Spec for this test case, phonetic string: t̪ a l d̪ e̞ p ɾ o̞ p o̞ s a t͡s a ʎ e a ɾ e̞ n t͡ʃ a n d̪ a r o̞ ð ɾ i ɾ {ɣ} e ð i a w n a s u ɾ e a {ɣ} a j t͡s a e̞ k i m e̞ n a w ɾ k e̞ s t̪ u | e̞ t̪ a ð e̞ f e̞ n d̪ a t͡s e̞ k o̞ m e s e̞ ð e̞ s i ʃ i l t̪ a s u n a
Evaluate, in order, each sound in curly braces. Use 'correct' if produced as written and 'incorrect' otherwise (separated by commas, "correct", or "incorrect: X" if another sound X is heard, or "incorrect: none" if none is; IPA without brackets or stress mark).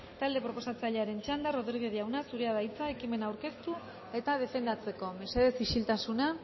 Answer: correct, incorrect: ð